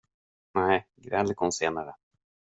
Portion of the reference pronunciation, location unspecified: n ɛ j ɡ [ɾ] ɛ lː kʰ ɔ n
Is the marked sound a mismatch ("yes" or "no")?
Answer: no